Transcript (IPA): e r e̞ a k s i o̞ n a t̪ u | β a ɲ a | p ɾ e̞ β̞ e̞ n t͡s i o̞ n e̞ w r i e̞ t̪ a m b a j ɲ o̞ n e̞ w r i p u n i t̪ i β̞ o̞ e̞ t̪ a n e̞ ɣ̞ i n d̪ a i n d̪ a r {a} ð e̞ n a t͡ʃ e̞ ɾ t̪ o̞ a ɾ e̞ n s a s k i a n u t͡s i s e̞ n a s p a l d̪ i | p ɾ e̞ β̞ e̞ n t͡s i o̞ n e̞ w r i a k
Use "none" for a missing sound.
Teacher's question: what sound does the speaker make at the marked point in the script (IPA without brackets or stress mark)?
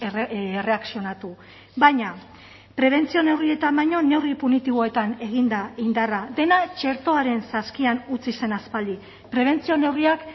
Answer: a